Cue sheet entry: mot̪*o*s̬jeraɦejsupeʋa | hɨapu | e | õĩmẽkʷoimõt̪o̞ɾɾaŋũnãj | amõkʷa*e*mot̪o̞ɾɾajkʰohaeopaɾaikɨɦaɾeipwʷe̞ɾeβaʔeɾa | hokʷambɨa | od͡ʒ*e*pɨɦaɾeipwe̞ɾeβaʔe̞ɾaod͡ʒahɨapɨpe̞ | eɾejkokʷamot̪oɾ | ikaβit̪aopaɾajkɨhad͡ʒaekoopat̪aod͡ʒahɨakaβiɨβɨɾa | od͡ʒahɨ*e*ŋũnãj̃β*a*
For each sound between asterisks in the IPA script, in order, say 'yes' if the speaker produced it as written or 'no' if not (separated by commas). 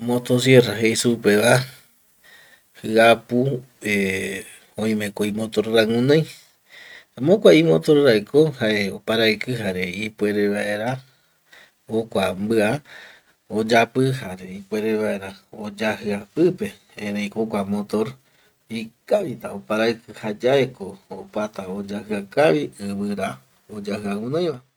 yes, no, no, no, yes